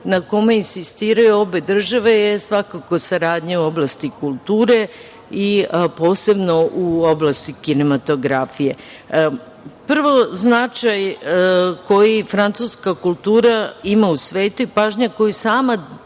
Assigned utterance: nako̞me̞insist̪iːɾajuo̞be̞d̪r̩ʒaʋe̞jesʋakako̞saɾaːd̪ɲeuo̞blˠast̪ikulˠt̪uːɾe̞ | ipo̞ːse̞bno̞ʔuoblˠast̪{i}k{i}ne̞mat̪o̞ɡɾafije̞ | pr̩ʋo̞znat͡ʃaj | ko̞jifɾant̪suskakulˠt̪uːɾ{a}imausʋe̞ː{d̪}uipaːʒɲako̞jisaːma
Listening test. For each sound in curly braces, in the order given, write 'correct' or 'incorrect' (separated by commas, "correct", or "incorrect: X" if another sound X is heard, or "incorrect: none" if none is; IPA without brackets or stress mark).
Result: correct, correct, correct, incorrect: t̪